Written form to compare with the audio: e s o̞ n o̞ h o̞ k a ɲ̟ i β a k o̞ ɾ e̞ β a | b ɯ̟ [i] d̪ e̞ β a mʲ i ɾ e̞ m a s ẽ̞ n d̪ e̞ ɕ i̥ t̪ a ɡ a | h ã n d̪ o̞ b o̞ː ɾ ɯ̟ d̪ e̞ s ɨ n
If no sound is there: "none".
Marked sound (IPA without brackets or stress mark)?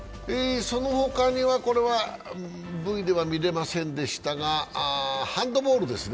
i